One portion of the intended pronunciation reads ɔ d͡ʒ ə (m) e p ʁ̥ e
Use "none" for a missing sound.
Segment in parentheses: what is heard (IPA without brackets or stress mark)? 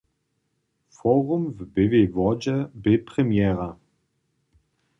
b